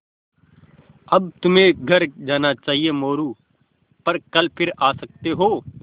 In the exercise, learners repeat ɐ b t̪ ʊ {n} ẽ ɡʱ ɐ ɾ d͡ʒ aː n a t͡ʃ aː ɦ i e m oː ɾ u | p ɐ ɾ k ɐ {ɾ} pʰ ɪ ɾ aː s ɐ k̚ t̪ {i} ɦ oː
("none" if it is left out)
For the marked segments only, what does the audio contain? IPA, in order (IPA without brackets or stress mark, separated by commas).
m, l, e